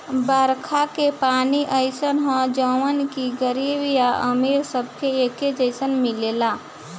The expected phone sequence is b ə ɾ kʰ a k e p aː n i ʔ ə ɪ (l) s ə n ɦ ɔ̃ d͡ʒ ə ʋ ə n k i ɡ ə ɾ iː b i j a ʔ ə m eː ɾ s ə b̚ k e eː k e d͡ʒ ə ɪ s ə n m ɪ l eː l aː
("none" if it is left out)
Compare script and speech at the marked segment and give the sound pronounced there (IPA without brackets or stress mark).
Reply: none